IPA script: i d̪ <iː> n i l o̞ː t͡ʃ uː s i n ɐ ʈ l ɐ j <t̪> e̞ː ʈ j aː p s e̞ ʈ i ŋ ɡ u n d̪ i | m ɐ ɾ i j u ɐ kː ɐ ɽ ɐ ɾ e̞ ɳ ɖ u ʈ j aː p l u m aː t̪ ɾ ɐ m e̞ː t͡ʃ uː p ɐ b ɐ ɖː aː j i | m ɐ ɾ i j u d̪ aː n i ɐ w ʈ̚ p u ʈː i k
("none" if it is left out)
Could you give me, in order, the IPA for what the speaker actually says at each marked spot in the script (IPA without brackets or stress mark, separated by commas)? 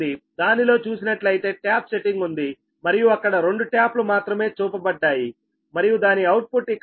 aː, t̪